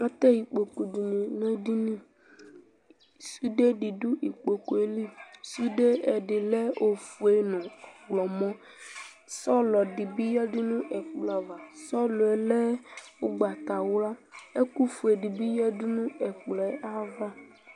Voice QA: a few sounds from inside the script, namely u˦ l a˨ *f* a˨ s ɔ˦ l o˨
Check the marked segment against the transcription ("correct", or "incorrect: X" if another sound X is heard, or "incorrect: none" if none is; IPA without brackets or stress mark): incorrect: v